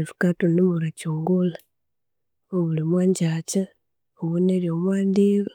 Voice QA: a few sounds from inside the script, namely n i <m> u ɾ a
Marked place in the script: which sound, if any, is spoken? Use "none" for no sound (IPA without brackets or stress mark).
m